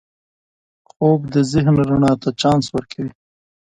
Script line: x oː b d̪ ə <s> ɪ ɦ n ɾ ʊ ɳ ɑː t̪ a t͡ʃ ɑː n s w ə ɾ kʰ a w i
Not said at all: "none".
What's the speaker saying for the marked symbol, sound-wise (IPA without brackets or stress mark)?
z